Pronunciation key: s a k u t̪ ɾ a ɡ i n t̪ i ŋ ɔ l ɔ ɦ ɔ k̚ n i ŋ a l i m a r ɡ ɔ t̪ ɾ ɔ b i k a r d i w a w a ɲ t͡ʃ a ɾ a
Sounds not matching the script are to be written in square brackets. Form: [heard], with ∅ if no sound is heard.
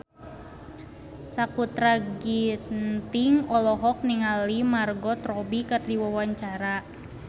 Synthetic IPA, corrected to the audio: s a k u t̪ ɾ a ɡ i n t̪ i ŋ ɔ l ɔ ɦ ɔ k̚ n i ŋ a l i m a r ɡ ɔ t̪ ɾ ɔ b i k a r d i w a w a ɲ t͡ʃ a ɾ a